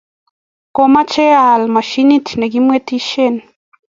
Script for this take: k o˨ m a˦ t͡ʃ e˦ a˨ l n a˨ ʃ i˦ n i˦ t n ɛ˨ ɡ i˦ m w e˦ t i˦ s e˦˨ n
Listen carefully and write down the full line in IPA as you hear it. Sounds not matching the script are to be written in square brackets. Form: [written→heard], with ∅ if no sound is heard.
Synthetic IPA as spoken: k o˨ m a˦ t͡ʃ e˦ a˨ l [n→m] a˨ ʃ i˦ n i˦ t n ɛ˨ ɡ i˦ m w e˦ t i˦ [s→ʃ] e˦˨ n